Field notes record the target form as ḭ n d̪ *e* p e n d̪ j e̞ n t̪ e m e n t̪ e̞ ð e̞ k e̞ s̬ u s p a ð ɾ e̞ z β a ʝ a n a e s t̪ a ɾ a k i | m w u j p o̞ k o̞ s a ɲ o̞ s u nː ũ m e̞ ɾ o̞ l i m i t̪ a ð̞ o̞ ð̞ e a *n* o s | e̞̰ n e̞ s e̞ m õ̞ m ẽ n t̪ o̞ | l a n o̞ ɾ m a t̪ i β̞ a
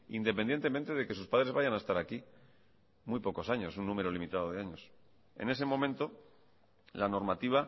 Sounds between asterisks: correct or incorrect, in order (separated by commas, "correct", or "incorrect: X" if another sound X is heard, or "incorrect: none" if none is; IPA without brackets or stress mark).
correct, incorrect: ɲ